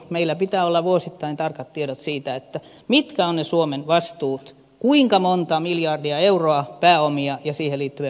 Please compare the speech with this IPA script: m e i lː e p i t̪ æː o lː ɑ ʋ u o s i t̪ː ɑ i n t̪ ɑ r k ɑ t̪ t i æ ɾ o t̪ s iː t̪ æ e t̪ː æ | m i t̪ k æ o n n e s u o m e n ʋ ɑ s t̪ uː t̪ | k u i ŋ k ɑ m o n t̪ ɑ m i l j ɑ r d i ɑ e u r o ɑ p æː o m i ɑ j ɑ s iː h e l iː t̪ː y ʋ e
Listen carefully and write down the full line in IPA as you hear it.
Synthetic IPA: m e i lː æ p i t̪ æː o lː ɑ ʋ u o s i t̪ː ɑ i n t̪ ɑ r k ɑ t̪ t i e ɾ o t̪ s iː t̪ æ e t̪ː æ | m i t̪ k æ o n n e s u o m e n ʋ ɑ s t̪ uː t̪ | k u i ŋ k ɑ m o n t̪ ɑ m i l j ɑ r d i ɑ e u r o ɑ p æː o m i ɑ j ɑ s iː h e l iː t̪ː y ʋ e

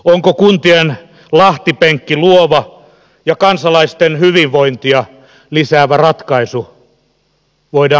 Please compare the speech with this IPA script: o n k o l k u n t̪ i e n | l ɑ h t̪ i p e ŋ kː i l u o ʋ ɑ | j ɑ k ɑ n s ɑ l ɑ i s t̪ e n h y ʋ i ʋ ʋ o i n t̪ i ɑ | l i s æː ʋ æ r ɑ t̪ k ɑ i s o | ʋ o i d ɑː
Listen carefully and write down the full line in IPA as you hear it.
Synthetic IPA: o ŋ k o k u n t̪ i e n | l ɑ h t̪ i p e ŋ kː i l u o ʋ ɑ | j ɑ k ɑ n s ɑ l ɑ i s t̪ e n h y ʋ i ʋ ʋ o i n t̪ i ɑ | l i s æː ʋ æ r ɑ t̪ k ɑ i s u | ʋ o i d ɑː

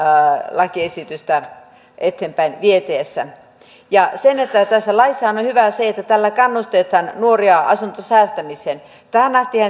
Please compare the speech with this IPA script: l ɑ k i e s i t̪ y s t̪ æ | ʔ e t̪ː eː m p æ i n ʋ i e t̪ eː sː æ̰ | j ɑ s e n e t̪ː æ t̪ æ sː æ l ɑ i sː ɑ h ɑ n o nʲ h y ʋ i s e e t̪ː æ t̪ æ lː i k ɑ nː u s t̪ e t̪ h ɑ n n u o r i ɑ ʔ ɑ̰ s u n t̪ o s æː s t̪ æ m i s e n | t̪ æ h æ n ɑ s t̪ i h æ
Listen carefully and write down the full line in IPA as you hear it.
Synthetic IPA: l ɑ k i e s i t̪ y s t̪ æ | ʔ e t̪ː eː m p æ i n ʋ i e t̪ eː sː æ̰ | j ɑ s e n e t̪ː æ t̪ æ sː æ l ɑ i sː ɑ h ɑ n o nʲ h y ʋ æ s e e t̪ː æ t̪ æ lː æ k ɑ nː u s t̪ e t̪ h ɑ n n u o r i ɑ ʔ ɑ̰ s u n t̪ o s æː s t̪ æ m i s e n | t̪ æ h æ n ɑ s t̪ i h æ

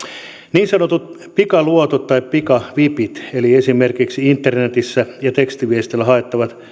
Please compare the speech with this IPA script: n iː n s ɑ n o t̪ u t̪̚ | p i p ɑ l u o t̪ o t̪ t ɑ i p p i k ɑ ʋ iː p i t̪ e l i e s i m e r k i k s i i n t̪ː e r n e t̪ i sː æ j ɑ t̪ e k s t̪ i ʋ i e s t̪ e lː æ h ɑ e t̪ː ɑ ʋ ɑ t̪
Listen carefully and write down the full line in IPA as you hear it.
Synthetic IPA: n iː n s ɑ n o t̪ u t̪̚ | p i k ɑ l u o t̪ o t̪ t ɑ i p p i k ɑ ʋ i p i t̪ e l i e s i m e r k i k s i i n t̪ː e r n e t̪ i sː æ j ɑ t̪ e k s t̪ i ʋ i e s t̪ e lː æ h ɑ e t̪ː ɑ ʋ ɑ t̪

